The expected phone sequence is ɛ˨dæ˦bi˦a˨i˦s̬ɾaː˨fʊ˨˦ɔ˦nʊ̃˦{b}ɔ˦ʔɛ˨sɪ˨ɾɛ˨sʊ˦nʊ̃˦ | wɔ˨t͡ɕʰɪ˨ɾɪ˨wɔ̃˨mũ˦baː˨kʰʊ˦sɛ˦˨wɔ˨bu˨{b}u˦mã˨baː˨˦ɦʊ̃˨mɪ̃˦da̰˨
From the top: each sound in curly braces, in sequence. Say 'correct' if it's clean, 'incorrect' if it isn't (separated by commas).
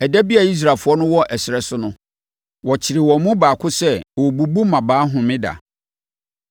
incorrect, correct